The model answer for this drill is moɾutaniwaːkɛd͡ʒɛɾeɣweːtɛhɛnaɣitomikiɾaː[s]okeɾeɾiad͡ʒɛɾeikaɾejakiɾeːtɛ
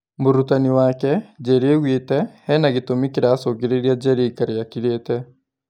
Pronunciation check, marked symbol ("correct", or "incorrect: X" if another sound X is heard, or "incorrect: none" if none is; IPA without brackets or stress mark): correct